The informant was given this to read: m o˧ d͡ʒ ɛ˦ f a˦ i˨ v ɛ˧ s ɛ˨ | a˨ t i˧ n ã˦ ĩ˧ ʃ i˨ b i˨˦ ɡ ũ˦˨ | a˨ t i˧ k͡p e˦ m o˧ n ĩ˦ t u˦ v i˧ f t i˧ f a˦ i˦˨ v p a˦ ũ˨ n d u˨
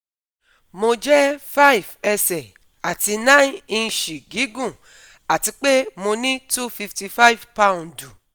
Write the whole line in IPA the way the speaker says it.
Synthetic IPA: m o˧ d͡ʒ ɛ˦ f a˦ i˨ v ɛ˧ s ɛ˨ | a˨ t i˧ n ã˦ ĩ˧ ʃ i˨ ɡ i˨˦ ɡ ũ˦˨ | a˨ t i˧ k͡p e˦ m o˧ n ĩ˦ t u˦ f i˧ f t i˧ f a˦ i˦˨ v p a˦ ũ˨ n d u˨